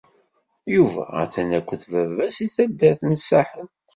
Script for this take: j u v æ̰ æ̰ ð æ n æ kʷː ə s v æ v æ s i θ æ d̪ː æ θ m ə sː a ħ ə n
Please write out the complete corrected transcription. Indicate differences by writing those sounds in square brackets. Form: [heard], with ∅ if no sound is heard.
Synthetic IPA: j u v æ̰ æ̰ [θ] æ n æ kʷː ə [θ] v æ v æ s i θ æ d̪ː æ θ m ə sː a ħ ə n